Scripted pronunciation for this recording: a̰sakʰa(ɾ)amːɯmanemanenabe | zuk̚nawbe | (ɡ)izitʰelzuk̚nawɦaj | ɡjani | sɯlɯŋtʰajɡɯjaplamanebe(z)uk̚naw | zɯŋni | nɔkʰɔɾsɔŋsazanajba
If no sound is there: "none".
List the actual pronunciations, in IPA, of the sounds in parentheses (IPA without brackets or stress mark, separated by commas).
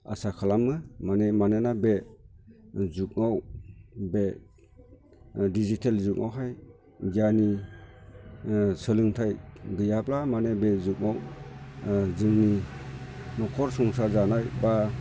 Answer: l, d, z